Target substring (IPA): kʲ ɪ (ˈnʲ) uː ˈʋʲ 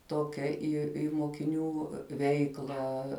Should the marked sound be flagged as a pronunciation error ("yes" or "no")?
no